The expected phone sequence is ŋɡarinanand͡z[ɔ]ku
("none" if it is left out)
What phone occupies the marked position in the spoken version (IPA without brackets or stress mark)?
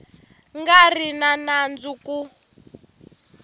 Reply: u